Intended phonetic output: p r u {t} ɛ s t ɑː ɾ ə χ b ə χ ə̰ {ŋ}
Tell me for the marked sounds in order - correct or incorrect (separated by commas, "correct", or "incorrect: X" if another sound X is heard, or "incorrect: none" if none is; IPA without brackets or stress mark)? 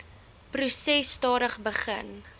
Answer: incorrect: s, incorrect: n